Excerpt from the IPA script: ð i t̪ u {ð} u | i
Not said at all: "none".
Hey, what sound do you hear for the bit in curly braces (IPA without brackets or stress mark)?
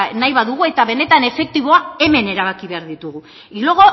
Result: ɣ